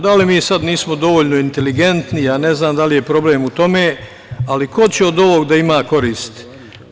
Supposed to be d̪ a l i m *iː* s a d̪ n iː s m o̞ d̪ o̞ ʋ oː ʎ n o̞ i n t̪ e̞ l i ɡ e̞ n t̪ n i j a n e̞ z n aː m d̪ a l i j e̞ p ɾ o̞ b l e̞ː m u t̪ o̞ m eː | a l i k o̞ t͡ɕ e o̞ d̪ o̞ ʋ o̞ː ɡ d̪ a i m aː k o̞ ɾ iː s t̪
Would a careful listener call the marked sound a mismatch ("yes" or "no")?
no